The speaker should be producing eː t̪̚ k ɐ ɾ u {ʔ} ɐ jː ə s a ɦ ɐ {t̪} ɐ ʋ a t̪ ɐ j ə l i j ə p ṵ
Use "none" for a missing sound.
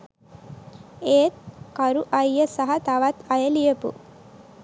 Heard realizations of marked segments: ʔ, t̪

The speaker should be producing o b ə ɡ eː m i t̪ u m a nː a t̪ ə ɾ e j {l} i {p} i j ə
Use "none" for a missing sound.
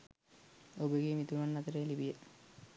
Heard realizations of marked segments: l, b

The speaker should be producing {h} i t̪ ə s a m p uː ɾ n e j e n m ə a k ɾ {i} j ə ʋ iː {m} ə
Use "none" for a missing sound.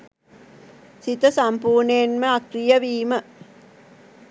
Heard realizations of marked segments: s, i, m

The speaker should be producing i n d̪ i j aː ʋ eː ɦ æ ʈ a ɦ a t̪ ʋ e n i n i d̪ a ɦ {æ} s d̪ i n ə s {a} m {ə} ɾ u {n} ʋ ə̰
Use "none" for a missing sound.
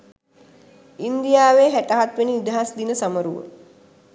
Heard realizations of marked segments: a, a, ə, none

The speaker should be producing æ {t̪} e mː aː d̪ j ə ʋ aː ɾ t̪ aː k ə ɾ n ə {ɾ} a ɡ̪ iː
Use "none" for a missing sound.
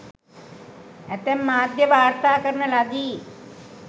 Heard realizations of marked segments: t̪, l

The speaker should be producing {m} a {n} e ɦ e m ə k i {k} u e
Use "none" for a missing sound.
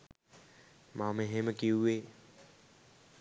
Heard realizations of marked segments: m, m, none

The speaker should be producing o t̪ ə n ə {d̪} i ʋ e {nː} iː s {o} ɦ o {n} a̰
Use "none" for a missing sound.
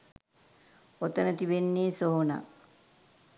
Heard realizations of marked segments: t̪, nː, o, n

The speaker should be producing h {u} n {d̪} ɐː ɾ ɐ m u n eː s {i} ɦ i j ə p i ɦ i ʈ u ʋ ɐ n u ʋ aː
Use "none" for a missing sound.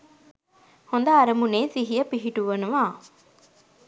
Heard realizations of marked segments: o, d̪, i

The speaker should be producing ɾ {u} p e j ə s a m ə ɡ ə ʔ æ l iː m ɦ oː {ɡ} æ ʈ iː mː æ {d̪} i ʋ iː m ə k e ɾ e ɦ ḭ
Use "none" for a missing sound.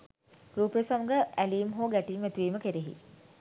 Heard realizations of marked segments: uː, ɡ, t̪

